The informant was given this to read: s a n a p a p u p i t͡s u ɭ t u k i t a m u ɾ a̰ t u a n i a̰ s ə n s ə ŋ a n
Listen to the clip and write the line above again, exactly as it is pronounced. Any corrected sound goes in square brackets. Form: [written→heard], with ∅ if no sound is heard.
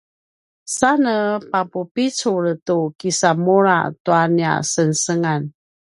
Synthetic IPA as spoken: s a n [a→ə] p a p u p i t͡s u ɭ t u k i [t→s] a m u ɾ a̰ t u a n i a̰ s ə n s ə ŋ a n